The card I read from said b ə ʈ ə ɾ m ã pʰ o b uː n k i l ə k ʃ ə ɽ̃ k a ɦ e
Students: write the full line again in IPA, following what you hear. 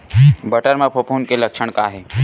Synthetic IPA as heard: b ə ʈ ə ɾ m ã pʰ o p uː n k e l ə k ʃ ə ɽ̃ k a ɦ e